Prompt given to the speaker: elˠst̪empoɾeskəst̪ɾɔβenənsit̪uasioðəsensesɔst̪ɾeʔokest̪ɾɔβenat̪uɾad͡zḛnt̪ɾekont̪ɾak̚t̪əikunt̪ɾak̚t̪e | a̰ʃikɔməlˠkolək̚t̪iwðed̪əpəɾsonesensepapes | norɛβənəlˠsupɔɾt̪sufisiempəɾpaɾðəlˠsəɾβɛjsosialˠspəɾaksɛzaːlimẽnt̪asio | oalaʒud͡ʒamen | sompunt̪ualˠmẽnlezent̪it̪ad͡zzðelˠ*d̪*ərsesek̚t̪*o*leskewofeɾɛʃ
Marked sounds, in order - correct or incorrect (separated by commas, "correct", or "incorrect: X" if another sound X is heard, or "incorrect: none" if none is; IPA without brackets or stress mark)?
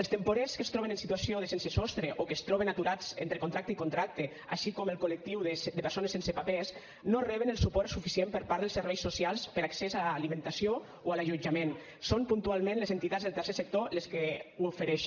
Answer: incorrect: t̪, correct